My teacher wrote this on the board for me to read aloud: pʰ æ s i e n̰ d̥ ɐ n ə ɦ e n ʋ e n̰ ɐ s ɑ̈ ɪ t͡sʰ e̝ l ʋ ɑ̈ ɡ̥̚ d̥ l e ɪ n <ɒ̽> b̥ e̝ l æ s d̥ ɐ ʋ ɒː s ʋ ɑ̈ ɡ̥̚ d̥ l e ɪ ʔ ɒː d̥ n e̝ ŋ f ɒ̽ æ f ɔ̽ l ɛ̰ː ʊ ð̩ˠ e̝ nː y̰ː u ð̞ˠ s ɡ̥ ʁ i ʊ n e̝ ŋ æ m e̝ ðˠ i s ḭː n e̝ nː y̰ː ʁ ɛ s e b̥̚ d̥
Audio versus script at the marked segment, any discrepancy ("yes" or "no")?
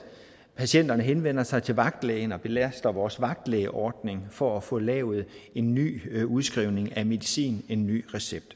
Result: no